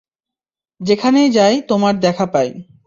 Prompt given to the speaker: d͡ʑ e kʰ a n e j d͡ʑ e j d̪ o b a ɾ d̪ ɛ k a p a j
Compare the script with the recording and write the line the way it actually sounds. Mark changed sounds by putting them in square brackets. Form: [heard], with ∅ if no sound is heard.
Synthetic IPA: d͡ʑ e kʰ a n e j d͡ʑ [a] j [t̪] o [m] a ɾ d̪ ɛ [kʰ] a p a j